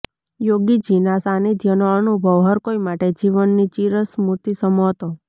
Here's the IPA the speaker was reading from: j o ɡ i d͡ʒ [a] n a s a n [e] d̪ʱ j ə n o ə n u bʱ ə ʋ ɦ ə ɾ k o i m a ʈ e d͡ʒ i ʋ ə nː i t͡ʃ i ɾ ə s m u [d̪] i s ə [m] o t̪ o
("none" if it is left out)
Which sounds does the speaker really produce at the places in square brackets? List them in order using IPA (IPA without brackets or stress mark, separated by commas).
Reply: i, i, t̪, m